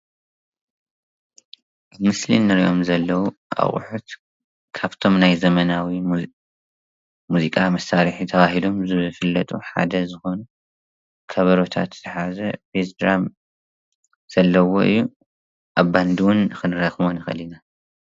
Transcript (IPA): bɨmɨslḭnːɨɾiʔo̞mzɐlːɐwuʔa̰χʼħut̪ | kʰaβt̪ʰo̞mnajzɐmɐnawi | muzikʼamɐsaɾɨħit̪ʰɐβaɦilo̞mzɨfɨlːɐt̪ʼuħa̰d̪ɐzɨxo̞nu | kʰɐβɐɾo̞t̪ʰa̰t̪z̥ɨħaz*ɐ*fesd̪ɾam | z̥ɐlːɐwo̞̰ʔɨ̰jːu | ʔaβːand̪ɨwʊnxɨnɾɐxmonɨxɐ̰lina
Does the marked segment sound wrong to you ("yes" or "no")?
no